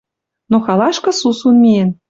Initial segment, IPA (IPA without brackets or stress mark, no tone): n